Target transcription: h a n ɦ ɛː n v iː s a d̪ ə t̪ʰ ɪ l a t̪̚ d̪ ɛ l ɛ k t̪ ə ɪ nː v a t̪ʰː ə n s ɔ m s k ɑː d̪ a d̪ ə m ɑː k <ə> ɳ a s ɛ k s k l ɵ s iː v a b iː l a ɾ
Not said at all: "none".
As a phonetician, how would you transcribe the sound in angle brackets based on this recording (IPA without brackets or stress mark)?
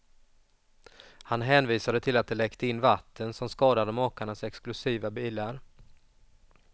a